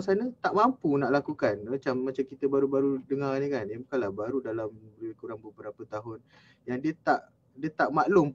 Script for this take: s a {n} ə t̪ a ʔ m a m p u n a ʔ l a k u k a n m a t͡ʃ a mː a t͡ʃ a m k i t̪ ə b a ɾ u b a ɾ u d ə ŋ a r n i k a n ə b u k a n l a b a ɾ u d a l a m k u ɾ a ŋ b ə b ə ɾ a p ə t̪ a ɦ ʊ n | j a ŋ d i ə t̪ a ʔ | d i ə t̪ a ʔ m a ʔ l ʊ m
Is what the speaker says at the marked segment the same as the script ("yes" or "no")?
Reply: yes